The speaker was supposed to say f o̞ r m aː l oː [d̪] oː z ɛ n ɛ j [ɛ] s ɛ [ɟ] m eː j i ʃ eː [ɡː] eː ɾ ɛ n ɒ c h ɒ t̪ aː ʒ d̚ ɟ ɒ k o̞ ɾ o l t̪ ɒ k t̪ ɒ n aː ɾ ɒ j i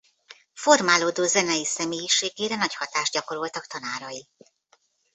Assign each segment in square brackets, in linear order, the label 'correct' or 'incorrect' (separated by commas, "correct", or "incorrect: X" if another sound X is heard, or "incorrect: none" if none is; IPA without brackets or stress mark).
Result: correct, incorrect: i, incorrect: none, incorrect: ɡ